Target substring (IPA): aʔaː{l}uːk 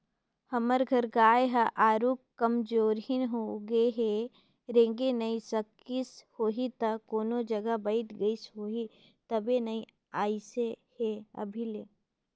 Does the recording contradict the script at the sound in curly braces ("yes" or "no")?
yes